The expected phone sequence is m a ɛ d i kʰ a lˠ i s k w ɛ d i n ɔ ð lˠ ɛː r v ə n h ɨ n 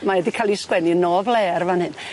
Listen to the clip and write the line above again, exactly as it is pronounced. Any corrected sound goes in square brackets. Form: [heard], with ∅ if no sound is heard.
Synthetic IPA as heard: m a ɛ d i kʰ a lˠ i s k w ɛ [n] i n ɔ [v] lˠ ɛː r v [a] n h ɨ n

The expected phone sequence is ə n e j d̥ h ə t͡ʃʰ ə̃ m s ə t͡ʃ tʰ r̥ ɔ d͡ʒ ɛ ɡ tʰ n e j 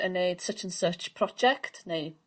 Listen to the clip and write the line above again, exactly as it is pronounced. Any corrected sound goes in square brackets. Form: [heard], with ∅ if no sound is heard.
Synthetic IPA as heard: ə n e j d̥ [s] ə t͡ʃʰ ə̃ [n] s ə t͡ʃ [pʰ] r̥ ɔ d͡ʒ ɛ [k] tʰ n e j

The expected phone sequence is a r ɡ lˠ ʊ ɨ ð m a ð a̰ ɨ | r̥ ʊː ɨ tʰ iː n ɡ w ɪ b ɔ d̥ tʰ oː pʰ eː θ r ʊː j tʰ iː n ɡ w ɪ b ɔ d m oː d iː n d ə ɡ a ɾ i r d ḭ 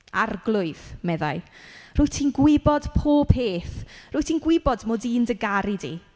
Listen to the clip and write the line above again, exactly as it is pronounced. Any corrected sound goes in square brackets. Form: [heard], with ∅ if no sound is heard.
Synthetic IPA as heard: a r ɡ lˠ ʊ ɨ ð m [ɛ] ð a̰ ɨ | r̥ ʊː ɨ tʰ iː n ɡ w ɪ b ɔ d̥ [pʰ] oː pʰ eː θ r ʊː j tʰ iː n ɡ w ɪ b ɔ d m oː d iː n d ə ɡ a ɾ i [∅] d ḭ

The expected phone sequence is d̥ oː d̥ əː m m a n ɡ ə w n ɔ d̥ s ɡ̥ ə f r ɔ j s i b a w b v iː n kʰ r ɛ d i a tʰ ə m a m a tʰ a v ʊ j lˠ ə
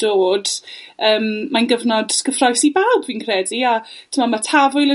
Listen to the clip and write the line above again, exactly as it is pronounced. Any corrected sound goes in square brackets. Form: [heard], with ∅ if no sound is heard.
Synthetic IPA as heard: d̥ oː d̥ əː m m a n ɡ ə [v] n ɔ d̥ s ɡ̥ ə f r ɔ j s i b a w b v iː n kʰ r ɛ d i a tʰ ə m a m a tʰ a v ʊ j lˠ ə

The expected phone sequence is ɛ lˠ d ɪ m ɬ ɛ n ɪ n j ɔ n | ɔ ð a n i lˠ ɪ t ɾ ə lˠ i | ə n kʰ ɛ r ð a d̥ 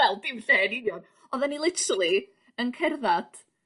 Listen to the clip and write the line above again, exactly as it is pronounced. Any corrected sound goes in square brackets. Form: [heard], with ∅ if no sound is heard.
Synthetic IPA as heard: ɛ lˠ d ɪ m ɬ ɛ n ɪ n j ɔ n | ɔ ð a n i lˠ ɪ t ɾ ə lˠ i | ə n kʰ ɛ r ð a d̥

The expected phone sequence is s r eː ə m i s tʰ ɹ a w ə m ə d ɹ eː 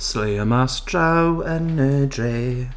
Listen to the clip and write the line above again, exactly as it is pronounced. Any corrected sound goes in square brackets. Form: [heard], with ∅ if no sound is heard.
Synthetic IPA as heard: s [l] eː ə m [a] s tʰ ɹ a w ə [n] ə d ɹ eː

